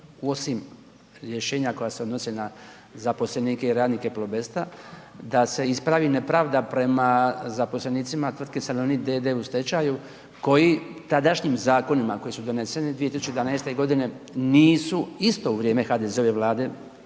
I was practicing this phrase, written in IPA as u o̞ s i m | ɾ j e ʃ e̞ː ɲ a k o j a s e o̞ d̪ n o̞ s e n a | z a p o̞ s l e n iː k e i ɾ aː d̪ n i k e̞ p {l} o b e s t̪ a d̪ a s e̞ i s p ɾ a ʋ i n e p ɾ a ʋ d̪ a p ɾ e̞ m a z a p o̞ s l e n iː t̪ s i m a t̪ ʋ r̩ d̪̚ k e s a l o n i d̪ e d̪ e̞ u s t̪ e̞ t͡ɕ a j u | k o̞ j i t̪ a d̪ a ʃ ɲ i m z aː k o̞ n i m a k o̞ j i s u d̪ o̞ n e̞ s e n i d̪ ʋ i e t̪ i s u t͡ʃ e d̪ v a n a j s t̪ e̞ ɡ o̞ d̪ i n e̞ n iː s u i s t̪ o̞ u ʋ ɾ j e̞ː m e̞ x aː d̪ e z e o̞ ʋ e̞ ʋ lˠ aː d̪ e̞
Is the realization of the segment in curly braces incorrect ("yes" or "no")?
no